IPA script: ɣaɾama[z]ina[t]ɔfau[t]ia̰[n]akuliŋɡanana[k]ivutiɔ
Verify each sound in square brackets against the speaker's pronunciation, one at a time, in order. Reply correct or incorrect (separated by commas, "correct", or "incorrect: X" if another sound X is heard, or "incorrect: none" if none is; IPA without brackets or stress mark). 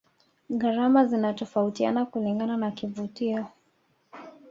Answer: correct, correct, correct, correct, correct